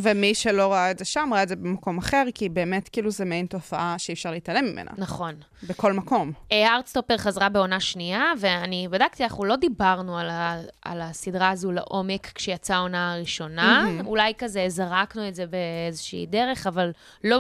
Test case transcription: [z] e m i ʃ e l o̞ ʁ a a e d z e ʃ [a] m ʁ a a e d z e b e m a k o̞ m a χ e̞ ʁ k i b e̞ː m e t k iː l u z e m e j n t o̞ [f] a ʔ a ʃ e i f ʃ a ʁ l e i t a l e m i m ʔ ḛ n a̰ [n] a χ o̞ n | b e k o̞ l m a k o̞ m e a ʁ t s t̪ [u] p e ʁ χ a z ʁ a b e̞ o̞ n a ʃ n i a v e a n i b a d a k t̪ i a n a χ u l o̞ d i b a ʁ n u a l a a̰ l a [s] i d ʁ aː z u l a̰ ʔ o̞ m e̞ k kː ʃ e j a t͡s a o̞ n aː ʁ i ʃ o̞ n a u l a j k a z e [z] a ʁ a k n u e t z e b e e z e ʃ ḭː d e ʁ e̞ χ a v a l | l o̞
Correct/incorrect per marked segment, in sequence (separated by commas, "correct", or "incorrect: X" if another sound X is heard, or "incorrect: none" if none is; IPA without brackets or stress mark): incorrect: v, correct, correct, correct, incorrect: o, correct, correct